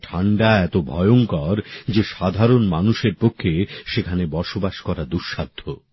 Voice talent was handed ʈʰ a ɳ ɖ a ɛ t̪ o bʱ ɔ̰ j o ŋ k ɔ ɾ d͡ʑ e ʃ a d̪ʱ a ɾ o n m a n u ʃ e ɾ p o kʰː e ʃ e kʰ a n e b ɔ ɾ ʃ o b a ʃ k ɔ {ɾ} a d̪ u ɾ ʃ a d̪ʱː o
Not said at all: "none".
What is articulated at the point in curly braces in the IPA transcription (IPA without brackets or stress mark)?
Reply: ɾ